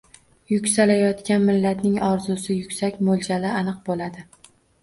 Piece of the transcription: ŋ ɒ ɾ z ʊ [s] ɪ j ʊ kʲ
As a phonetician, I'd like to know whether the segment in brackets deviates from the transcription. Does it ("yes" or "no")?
no